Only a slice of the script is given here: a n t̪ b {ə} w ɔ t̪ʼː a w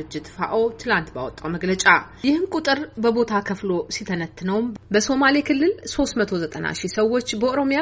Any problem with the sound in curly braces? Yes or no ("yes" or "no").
yes